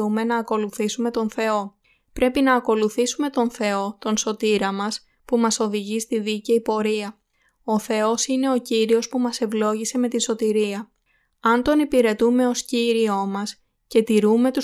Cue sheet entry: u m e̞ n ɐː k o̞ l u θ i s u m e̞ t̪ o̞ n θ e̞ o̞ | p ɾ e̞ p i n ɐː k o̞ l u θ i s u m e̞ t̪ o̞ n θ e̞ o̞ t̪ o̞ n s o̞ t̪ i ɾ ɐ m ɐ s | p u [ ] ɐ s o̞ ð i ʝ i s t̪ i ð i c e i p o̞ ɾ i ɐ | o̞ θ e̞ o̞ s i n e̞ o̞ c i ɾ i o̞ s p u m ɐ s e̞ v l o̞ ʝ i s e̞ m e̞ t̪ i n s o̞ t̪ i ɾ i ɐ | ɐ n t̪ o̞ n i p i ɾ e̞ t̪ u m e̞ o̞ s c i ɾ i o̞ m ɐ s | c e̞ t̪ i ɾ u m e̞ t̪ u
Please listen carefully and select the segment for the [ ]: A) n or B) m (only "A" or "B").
B